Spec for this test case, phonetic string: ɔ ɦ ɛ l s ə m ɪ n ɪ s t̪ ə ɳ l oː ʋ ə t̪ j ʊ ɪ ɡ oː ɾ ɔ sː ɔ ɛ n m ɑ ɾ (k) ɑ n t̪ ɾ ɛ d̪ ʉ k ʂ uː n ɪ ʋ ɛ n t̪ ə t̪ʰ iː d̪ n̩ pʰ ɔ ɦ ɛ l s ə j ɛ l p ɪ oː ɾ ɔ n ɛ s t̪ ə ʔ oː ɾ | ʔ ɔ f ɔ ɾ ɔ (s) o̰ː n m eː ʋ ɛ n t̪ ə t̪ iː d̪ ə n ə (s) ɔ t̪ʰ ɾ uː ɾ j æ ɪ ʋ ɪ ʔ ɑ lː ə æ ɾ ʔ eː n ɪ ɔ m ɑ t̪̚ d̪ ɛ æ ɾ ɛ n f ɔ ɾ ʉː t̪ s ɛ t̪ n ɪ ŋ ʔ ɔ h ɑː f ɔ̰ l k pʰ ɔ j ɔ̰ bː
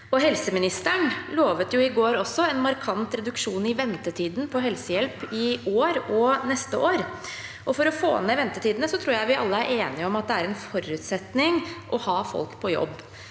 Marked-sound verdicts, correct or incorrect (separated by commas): incorrect, incorrect, correct